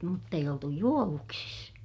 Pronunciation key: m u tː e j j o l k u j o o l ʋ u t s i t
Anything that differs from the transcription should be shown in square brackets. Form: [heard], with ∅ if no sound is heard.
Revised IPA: m u tː e [i] j o l [t] u j [u] o [∅] ʋ u [k] s i [s]